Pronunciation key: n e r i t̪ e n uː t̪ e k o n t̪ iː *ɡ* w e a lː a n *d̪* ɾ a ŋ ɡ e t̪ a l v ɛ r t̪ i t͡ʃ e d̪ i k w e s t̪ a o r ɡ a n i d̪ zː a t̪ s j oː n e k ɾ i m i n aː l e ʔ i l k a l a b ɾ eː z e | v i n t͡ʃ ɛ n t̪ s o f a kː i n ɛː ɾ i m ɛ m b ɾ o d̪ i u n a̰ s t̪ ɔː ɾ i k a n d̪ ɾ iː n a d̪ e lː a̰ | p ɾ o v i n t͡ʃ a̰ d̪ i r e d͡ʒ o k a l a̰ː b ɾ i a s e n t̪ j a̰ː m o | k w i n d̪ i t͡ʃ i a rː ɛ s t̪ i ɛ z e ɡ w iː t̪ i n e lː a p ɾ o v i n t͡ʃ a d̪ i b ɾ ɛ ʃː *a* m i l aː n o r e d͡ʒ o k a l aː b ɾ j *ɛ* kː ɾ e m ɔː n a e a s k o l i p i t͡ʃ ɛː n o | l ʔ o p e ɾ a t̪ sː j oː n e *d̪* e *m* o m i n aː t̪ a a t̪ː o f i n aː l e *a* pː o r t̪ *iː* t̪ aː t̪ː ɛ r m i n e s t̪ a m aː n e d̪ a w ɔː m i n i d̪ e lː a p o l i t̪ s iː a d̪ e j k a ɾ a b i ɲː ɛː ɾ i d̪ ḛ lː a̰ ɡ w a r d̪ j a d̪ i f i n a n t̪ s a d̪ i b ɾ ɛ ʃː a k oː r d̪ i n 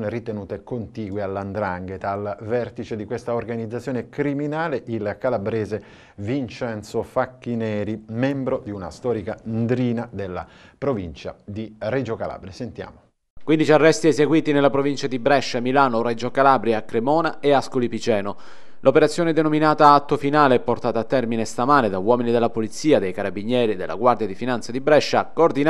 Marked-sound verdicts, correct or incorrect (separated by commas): correct, correct, correct, incorrect, correct, incorrect, incorrect, incorrect